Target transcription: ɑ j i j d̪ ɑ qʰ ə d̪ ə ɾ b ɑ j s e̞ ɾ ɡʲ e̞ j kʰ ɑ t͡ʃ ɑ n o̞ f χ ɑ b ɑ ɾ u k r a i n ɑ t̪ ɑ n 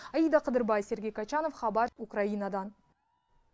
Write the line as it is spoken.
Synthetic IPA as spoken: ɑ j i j d̪ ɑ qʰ ə d̪ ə ɾ b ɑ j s e̞ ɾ ɡʲ e̞ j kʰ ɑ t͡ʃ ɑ n o̞ f χ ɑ b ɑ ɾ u k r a i n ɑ d̪ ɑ n